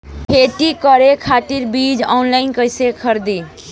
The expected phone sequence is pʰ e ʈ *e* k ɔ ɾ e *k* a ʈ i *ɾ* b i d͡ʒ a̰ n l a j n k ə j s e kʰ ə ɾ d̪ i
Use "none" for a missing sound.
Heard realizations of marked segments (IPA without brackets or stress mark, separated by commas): i, kʰ, ɾ